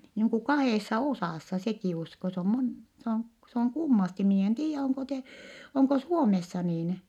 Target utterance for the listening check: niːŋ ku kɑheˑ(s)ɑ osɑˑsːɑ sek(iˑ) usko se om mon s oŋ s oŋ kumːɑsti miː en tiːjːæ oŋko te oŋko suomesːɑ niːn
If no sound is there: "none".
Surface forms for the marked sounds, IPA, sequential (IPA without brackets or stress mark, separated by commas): sː, iˑ